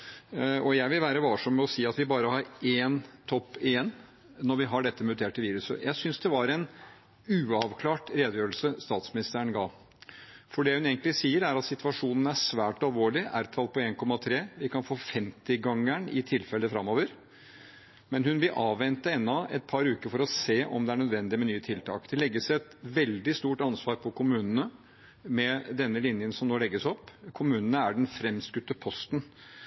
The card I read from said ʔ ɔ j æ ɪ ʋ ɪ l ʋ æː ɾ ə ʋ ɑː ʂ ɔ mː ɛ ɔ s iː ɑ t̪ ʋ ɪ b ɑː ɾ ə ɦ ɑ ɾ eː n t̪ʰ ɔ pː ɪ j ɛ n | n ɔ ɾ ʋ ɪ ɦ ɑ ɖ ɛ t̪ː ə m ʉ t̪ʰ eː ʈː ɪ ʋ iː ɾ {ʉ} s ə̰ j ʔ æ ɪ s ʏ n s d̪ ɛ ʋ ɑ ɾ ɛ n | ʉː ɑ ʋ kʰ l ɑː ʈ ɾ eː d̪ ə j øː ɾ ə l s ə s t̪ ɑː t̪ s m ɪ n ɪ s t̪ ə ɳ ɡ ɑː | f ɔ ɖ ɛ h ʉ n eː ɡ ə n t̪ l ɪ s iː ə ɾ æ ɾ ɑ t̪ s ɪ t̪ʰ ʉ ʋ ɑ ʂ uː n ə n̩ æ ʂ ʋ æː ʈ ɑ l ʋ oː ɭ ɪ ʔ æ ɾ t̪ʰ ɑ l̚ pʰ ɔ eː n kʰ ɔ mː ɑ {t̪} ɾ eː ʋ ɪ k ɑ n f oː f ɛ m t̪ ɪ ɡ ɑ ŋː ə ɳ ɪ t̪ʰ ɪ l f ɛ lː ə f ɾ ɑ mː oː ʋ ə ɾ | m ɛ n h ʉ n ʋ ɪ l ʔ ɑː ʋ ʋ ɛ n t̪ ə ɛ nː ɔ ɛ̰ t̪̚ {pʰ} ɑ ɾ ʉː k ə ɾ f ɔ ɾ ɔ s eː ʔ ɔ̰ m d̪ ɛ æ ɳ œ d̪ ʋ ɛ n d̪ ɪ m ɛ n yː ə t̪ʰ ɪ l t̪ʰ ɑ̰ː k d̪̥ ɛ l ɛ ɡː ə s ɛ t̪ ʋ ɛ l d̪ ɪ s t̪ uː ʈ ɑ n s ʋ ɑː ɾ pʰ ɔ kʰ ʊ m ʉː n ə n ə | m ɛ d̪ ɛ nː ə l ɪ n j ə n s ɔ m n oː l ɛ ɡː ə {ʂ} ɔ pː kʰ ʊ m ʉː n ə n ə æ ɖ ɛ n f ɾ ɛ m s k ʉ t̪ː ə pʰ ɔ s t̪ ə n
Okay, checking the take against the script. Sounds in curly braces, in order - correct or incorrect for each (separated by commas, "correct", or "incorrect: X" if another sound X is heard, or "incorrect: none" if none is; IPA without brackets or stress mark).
correct, incorrect: t̪ʰ, correct, incorrect: s